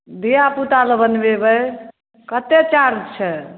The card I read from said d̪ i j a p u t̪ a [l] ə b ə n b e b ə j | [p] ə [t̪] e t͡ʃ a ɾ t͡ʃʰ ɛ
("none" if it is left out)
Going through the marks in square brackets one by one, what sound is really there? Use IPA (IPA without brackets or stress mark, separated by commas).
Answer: l, k, t̪